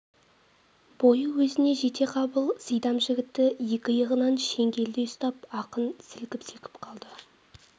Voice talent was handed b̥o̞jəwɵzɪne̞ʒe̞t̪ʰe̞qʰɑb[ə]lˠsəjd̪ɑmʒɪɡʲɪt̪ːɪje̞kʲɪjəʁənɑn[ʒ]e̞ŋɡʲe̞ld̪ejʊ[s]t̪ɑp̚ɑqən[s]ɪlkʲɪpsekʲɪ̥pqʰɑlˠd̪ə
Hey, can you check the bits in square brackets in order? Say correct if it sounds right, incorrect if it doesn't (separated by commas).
correct, incorrect, correct, correct